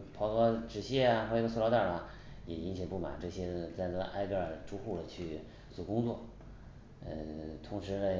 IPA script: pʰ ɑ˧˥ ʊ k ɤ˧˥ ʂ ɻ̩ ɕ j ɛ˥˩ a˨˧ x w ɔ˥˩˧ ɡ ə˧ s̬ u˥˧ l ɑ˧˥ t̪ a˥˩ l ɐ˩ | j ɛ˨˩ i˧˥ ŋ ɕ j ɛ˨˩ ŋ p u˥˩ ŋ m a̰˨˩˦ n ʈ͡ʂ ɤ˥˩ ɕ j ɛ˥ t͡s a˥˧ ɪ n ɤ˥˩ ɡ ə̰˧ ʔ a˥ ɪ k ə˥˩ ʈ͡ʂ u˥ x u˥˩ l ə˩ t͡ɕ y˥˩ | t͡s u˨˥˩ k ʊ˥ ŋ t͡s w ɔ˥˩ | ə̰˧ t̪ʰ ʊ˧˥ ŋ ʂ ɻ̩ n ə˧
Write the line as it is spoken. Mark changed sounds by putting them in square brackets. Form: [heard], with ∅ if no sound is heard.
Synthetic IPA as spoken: pʰ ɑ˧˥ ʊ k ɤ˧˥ [ʈ͡ʂ] ɻ̩ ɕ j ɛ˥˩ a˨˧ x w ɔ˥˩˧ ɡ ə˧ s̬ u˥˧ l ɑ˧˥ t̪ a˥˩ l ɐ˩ | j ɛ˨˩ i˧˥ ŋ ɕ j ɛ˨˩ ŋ p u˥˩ [∅] m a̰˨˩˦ n ʈ͡ʂ ɤ˥˩ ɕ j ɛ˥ t͡s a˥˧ ɪ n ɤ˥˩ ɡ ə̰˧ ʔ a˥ ɪ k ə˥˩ ʈ͡ʂ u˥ x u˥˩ l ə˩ [t͡ɕʰ] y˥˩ | t͡s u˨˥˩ k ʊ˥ ŋ t͡s w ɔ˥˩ | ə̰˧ t̪ʰ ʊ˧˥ ŋ ʂ ɻ̩ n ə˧